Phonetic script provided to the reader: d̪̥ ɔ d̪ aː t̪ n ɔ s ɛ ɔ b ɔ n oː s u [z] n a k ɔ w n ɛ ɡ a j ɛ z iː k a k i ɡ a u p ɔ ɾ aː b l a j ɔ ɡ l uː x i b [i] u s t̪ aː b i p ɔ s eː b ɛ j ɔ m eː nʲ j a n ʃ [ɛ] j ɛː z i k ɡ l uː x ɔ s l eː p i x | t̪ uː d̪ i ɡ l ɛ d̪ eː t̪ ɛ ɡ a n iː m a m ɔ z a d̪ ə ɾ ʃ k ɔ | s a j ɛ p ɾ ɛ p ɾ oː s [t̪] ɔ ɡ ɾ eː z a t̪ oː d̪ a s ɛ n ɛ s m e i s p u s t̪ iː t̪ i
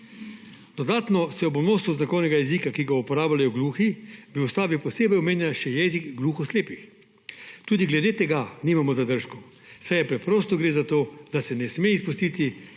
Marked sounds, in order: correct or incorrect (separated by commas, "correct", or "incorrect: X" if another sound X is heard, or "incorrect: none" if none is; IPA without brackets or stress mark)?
correct, correct, correct, correct